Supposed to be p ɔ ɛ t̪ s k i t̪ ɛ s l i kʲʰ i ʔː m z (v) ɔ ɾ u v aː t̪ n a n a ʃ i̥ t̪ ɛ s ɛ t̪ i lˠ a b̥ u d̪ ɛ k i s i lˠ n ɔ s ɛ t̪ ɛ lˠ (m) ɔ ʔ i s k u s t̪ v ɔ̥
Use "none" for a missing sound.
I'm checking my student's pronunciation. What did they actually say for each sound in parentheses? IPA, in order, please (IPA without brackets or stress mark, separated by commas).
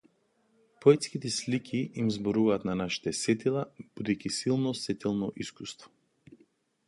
b, n